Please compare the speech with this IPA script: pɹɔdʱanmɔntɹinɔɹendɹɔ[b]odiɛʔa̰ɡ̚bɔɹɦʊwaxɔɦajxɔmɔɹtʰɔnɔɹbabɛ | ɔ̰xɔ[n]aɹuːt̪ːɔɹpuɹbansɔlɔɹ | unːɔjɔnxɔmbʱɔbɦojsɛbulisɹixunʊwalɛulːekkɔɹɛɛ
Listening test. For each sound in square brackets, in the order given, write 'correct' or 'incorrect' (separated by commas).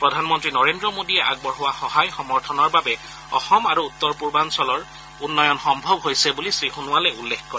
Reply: incorrect, incorrect